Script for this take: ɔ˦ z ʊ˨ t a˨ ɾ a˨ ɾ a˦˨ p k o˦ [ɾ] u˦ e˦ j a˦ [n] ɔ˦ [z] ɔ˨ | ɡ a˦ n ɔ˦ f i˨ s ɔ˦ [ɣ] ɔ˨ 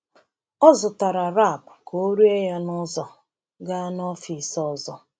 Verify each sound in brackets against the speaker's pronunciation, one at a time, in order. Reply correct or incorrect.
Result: correct, correct, correct, incorrect: z

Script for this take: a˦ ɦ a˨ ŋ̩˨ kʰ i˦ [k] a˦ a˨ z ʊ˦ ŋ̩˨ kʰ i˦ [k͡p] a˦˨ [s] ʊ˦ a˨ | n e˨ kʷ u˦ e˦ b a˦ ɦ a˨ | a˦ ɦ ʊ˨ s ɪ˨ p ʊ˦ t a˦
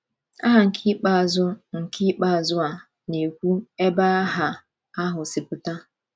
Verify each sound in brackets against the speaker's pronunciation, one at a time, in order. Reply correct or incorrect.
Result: incorrect: k͡p, correct, incorrect: z

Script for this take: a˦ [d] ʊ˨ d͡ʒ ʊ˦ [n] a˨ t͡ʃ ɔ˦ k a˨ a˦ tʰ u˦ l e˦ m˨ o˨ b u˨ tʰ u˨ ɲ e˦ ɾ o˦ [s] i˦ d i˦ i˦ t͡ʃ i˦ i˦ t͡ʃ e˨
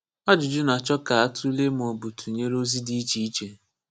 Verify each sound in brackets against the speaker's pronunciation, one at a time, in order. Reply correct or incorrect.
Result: incorrect: d͡ʒ, correct, incorrect: z

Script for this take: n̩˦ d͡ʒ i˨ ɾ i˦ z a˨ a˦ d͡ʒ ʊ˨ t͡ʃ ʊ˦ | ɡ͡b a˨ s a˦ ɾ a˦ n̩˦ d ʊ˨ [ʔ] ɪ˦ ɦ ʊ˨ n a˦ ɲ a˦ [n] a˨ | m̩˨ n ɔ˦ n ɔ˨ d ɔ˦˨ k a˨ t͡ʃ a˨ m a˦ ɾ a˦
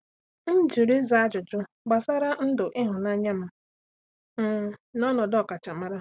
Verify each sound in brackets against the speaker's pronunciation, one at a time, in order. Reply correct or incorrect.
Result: correct, incorrect: m

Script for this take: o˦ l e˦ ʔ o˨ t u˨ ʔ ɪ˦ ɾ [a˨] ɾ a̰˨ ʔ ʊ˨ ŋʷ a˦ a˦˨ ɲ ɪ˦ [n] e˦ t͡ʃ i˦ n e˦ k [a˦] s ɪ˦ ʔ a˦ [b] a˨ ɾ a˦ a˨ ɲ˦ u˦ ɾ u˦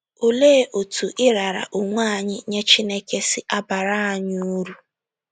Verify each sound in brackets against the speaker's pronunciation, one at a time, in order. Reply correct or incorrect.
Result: correct, incorrect: ɲ, incorrect: e˦, correct

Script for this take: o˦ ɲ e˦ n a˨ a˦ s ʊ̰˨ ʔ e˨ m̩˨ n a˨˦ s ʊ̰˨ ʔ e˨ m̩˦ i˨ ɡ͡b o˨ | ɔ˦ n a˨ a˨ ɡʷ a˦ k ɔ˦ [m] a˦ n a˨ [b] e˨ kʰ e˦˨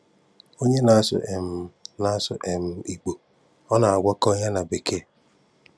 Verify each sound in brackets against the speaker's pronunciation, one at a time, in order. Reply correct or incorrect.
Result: incorrect: ɲ, correct

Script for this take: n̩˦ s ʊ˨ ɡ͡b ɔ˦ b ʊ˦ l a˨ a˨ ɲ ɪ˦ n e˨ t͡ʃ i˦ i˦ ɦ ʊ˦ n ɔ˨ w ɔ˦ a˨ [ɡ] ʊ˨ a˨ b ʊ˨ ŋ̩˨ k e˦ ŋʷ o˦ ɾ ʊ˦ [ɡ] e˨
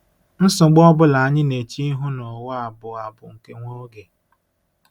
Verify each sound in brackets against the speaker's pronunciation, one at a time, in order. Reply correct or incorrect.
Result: incorrect: b, correct

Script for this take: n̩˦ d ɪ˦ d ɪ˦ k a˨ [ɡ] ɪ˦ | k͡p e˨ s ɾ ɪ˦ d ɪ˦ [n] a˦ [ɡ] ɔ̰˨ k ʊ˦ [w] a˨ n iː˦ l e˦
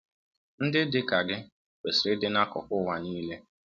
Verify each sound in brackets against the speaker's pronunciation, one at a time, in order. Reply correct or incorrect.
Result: correct, correct, incorrect: k, correct

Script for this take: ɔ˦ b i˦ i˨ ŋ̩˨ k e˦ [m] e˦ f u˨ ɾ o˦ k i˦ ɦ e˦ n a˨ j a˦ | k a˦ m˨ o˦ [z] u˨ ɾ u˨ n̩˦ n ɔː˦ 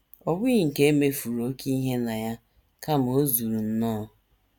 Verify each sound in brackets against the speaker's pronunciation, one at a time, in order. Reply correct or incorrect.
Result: correct, correct

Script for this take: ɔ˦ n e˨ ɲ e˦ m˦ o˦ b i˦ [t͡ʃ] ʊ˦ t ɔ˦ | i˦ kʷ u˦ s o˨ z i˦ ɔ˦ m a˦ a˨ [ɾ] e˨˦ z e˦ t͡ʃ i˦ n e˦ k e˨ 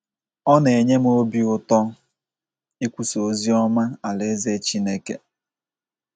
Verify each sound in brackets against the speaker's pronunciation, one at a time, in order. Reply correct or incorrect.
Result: incorrect: none, incorrect: l

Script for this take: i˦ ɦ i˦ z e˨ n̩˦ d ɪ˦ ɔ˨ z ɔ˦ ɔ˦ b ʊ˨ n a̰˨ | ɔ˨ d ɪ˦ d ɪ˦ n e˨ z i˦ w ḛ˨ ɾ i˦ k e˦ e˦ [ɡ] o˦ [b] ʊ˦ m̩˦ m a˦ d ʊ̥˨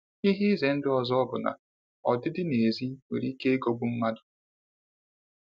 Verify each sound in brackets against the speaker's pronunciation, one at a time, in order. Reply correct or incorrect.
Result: correct, correct

